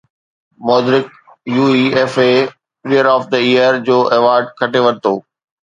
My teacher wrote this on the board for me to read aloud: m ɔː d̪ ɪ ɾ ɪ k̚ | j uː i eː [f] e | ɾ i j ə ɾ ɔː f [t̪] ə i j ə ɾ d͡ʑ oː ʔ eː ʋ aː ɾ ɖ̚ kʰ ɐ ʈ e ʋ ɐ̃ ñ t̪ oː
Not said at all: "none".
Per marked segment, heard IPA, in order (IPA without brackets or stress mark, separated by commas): f, d̪